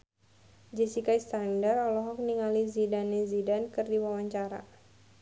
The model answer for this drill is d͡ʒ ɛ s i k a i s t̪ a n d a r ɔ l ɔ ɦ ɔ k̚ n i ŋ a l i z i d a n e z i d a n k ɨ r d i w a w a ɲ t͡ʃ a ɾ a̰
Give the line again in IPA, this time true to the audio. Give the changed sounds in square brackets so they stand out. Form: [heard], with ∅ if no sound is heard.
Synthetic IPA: d͡ʒ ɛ s i k a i s t̪ a n d a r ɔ l ɔ ɦ ɔ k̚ n i ŋ a l i z i d a n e z i d a n k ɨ r d i w a w a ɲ t͡ʃ a ɾ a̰